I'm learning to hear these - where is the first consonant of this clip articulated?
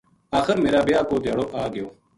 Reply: velum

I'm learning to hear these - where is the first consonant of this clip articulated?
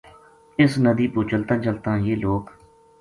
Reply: tongue tip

